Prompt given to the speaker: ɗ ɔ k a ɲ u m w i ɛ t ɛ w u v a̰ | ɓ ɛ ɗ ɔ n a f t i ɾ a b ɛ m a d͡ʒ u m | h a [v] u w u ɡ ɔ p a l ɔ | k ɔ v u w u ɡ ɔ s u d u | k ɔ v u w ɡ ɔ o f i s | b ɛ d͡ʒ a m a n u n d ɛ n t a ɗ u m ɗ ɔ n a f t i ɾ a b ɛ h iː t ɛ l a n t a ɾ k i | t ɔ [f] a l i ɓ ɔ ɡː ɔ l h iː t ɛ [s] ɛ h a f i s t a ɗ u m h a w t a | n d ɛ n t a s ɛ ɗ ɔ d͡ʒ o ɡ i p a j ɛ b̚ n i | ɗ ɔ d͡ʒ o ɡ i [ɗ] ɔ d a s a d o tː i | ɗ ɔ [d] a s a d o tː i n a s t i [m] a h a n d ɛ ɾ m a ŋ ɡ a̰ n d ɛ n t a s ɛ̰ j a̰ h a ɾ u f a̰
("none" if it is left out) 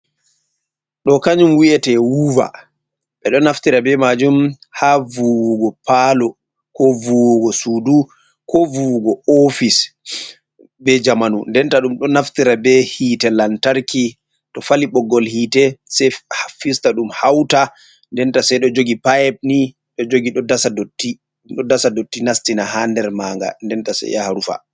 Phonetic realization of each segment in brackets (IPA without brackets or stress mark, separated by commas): v, f, s, ɗ, d, n